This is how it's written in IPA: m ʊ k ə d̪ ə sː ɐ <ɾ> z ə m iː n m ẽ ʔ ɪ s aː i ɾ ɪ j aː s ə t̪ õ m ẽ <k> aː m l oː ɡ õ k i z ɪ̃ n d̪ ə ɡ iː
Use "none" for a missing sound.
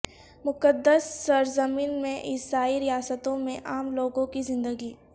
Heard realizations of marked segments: ɾ, ʔ

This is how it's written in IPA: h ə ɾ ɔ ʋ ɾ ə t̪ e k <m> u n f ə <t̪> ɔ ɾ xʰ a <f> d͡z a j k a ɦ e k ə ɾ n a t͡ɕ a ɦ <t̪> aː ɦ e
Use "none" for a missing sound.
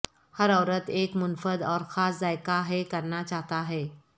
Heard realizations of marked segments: m, d̪, s, t̪

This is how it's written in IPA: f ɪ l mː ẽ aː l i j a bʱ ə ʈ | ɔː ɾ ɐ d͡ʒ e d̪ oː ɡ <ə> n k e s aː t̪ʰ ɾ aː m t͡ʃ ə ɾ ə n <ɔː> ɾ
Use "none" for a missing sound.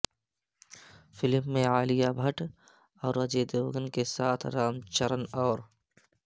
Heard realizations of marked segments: ə, ɔː

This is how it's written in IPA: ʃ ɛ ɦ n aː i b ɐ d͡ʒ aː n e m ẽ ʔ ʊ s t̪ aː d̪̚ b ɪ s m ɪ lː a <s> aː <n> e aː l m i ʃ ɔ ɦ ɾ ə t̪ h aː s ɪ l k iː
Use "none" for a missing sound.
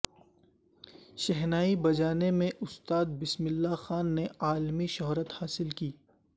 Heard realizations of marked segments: x, nː

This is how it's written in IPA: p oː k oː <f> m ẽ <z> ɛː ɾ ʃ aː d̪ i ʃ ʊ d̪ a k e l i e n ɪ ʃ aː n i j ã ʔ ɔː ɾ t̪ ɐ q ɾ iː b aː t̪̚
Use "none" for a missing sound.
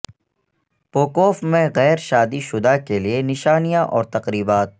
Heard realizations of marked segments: f, ɣ

